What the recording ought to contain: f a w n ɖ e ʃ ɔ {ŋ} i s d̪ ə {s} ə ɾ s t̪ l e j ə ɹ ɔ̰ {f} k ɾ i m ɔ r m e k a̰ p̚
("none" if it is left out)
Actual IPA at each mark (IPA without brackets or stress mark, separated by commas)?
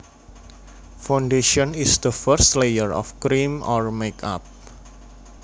n, f, f